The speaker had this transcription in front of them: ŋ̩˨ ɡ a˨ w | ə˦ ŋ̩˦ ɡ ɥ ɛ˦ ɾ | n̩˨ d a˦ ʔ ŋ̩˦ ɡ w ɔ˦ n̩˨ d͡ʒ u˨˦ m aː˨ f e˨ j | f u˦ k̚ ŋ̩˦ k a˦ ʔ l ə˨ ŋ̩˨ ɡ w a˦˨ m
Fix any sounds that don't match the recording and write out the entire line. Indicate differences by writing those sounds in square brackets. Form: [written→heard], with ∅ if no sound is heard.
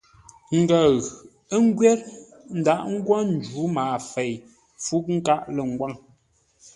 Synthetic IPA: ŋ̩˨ ɡ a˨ [w→ɣ] | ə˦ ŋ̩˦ ɡ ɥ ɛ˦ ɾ | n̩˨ d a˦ ʔ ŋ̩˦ ɡ w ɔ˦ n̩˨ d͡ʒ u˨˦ m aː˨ f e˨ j | f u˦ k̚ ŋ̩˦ k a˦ ʔ l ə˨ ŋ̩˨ ɡ w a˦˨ [m→ŋ]